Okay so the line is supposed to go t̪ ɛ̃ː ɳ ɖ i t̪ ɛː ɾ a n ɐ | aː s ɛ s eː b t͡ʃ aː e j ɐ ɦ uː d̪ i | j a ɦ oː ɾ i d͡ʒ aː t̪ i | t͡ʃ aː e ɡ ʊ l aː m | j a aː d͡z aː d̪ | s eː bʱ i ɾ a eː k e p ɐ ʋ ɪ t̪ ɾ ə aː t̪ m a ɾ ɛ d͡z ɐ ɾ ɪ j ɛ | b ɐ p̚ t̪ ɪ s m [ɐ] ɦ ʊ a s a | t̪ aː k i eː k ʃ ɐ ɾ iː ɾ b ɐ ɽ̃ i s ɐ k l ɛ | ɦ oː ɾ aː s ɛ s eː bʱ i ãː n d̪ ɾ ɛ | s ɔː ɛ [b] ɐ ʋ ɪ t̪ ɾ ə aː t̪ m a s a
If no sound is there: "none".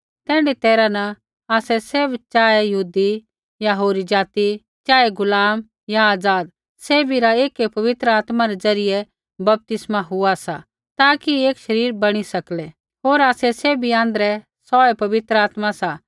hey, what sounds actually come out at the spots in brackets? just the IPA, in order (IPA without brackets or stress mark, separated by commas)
a, p